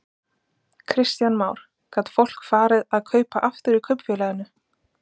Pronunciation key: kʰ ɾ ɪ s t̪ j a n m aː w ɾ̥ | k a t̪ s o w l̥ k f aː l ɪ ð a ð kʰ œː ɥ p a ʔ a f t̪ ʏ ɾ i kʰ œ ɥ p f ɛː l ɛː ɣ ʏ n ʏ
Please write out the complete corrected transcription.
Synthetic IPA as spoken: kʰ ɾ ɪ s t̪ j a n m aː w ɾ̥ | k a t̪ f o w l̥ k f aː ɾ ɪ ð a ð kʰ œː ɥ p a ʔ a f t̪ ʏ ɾ i kʰ œ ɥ p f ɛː l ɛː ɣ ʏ n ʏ

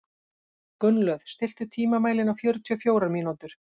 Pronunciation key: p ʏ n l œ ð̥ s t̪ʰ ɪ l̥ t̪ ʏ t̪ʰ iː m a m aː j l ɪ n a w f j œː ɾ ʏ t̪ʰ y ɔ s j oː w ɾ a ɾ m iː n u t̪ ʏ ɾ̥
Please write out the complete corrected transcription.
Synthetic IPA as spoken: k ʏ n l œ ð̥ s t̪ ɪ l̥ t̪ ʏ t̪ʰ iː m a m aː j l ɪ n a w f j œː ɾ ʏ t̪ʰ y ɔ f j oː w ɾ a ɾ m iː n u t̪ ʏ ɾ̥

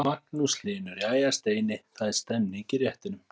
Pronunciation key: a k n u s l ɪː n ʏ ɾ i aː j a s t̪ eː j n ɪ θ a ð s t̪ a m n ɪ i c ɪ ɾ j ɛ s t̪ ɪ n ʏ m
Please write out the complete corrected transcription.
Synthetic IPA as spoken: a k n u s l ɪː n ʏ ɾ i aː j a s t̪ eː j n ɪ θ a ð s t̪ ɛ m n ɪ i c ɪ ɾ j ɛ h t̪ ɪ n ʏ m

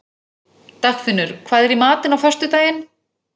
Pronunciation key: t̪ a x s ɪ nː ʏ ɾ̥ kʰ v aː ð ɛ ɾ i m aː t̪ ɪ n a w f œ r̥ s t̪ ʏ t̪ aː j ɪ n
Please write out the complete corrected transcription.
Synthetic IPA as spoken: t̪ a x f ɪ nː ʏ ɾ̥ kʰ v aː ð ɛ ɾ i m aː t̪ ɪ n a w f œ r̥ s t̪ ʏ t̪ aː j ɪ n

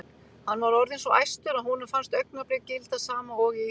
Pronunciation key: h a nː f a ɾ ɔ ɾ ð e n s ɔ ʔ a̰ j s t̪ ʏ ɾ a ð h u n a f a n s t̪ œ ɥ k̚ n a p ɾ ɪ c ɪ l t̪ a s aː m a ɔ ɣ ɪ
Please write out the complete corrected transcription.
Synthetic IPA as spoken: h a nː v a ɾ ɔ ɾ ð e n s ɔ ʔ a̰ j s t̪ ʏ ɾ a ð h u n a f a n s t̪ œ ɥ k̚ n a p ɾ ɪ c ɪ l t̪ a s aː m a ɔ ɣ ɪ

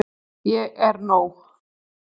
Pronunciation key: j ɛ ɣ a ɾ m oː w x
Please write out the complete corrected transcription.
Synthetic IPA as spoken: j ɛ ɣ ɛ ɾ n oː w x

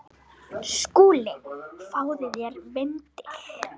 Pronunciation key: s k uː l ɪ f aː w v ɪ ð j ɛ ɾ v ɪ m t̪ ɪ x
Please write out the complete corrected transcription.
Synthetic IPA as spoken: s k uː l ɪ f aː w ð ɪ ð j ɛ ɾ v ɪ n t̪ ɪ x

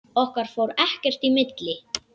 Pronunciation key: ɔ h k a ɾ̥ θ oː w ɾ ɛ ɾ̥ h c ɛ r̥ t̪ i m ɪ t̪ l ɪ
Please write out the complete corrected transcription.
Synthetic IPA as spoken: ɔ h k a ɾ̥ f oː w ɾ ɛ h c ɛ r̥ t̪ i m ɪ t̪ l ɪ

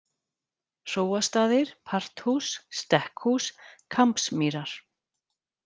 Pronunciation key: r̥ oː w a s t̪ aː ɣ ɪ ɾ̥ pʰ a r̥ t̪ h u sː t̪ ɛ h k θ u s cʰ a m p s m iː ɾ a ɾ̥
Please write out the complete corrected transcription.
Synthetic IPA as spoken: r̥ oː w a s t̪ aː ð ɪ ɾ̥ pʰ a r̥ t̪ h u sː t̪ ɛ h k h u s kʰ a m p s m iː ɾ a ɾ̥

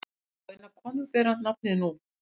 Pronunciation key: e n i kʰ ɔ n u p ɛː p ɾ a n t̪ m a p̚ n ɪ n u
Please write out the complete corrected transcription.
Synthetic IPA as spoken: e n a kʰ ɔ n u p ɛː ɾ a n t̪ n a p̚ n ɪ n u

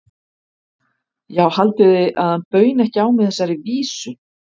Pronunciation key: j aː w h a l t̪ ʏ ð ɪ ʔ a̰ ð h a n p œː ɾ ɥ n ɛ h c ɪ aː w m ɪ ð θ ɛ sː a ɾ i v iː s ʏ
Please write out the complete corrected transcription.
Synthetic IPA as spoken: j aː w h a l t̪ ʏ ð ɪ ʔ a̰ ð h a n p œː ɥ n ɛ h c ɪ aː w m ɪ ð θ ɛ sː a ɾ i v iː s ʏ

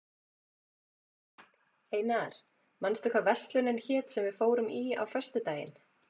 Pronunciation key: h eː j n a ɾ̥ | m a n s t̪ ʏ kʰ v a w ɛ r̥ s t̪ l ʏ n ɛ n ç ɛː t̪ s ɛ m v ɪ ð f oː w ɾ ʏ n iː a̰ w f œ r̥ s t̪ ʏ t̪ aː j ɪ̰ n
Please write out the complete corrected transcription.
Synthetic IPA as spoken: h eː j n a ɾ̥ | m a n s t̪ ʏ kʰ v a v ɛ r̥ s t̪ l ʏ n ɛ n ç ɛː t̪ s ɛ m v ɪ ð f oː w ɾ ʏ m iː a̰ w f œ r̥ s t̪ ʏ t̪ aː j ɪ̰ n

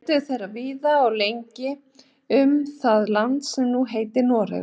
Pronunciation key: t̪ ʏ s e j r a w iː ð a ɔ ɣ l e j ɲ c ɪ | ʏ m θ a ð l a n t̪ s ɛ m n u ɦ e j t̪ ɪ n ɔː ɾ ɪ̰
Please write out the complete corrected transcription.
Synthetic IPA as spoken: t̪ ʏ θ e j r a v iː ð a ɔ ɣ l e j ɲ c ɪ | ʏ m θ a ð l a n t̪ s ɛ m n u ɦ e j t̪ ɪ n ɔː ɾ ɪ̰

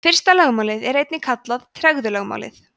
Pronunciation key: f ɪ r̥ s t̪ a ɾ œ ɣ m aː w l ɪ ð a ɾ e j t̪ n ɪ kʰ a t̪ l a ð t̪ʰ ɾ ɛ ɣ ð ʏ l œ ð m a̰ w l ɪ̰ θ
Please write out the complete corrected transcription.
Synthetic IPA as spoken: f ɪ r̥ s t̪ a l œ ɣ m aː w l ɪ ð ɛ ɾ e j t̪ n ɪ kʰ a t̪ l a ð t̪ʰ ɾ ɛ ɣ ð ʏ l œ ɣ m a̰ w l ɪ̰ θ

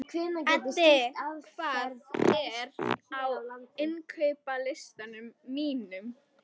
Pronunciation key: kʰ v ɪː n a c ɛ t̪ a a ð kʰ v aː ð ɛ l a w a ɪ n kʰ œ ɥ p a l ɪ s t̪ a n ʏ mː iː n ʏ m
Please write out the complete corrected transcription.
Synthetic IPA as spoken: kʰ v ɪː n a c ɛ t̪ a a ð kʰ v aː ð ɛ ɾ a w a ɪ n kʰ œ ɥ p a l ɪ s t̪ a n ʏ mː iː n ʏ m

